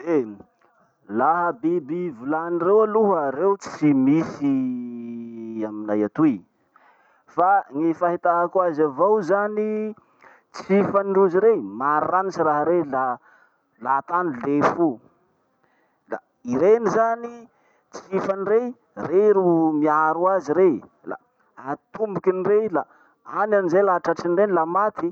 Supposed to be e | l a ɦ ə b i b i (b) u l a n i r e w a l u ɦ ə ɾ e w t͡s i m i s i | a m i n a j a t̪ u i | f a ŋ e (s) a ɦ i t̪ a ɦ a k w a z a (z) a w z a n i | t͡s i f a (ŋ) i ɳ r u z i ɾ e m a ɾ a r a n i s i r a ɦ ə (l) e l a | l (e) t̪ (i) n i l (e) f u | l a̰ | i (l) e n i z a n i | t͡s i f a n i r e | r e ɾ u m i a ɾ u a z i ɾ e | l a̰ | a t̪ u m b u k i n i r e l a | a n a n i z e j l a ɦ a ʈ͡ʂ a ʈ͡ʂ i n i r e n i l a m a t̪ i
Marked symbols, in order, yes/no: no, no, no, no, no, no, no, yes, no

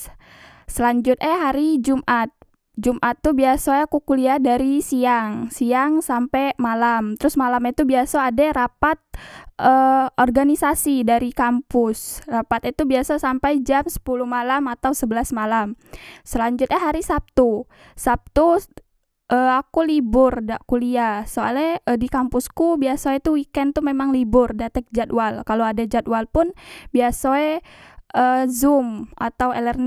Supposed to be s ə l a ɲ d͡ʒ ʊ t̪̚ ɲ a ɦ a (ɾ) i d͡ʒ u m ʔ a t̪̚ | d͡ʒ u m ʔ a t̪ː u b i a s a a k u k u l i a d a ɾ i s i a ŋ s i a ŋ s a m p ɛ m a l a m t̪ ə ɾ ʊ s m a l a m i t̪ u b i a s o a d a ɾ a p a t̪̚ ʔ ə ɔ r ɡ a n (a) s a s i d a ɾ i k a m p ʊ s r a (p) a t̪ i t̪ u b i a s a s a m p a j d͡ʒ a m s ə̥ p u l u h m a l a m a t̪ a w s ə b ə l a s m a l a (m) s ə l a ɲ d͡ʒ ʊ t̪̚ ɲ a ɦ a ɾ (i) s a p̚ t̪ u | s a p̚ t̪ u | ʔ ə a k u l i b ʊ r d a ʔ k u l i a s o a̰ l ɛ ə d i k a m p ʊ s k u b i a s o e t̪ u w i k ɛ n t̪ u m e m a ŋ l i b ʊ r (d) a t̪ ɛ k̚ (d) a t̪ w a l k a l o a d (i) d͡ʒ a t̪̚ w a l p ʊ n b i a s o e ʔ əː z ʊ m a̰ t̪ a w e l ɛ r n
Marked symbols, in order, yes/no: yes, no, yes, yes, yes, yes, no, no

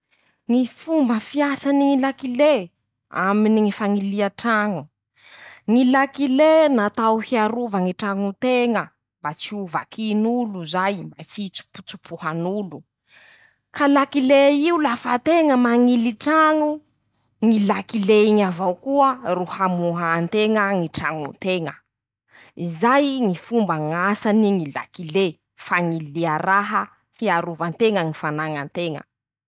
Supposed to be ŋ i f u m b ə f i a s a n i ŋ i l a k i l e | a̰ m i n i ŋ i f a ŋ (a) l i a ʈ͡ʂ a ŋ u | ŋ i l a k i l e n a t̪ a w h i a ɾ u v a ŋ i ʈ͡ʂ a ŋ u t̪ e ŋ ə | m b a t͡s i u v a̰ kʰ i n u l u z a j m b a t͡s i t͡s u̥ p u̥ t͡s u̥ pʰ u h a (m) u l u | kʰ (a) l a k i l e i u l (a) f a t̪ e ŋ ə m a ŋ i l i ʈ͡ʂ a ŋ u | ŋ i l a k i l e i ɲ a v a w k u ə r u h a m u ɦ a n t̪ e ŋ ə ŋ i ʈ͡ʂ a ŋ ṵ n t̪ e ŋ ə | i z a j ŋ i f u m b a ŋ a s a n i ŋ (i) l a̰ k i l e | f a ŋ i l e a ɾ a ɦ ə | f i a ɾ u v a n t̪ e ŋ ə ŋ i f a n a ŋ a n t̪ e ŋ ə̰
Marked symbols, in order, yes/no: no, no, yes, yes, yes

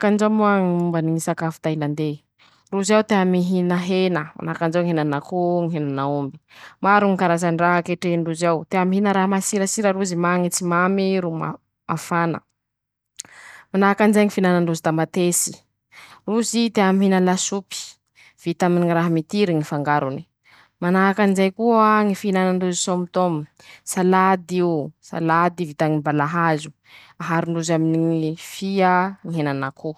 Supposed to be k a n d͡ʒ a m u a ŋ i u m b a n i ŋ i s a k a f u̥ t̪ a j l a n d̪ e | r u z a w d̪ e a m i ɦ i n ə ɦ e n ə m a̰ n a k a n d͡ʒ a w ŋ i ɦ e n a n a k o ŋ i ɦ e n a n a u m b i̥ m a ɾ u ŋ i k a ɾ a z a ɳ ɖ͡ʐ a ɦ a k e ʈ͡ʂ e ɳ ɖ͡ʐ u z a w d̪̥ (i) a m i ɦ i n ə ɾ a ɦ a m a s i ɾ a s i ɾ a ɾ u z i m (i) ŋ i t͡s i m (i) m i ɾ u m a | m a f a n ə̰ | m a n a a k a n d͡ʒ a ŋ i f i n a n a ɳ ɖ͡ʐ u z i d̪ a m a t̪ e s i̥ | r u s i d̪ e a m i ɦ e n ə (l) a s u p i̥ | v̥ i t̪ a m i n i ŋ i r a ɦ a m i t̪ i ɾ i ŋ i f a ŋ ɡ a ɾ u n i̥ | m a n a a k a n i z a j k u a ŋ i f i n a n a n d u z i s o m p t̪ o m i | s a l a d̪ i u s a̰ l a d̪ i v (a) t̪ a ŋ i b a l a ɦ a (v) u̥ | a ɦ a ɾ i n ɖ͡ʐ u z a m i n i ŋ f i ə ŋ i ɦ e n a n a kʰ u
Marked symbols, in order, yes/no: no, no, no, yes, no, no

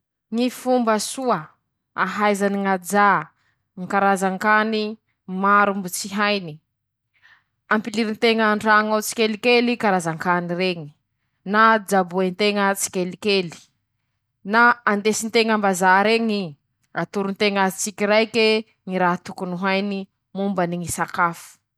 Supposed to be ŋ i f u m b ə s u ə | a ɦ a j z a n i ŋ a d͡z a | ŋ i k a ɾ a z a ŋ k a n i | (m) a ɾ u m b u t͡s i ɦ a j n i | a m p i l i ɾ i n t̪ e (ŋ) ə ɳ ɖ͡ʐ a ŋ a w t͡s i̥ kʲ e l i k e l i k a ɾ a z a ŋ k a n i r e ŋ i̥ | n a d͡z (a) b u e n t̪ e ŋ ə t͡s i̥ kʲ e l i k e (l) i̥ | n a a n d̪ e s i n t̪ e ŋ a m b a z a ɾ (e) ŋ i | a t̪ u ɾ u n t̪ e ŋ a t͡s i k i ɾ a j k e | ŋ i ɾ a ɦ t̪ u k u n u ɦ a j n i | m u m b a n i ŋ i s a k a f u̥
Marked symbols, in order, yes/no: yes, yes, yes, yes, yes

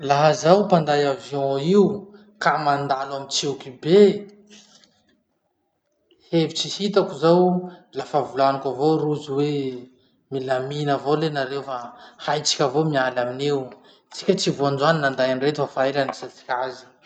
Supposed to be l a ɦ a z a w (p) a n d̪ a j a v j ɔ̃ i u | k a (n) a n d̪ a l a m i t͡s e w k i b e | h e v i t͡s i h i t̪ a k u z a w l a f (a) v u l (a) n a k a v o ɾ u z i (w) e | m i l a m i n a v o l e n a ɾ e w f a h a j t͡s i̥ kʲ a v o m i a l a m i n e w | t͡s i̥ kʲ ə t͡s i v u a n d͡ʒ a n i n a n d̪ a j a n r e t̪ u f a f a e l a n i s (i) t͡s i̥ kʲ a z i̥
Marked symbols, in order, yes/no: yes, no, yes, yes, yes, no

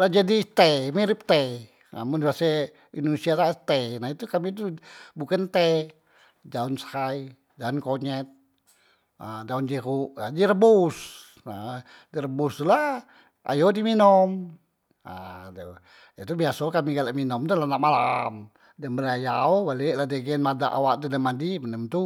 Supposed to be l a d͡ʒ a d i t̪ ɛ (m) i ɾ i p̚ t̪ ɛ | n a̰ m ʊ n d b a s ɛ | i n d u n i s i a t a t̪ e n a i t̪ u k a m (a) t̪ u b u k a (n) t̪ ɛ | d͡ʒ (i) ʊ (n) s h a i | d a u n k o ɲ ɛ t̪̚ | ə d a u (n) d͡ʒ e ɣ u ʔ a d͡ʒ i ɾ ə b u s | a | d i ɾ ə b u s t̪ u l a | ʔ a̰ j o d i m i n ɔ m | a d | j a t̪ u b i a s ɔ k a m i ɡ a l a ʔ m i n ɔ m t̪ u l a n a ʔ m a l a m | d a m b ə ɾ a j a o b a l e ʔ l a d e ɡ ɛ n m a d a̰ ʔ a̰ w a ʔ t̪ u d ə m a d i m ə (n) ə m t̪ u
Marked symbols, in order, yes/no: yes, no, yes, no, yes, yes, yes

